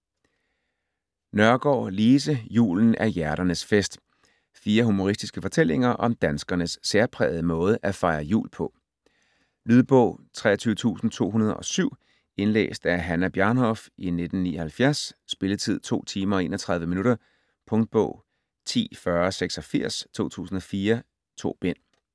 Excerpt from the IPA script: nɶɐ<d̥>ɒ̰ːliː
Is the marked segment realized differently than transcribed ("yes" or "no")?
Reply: yes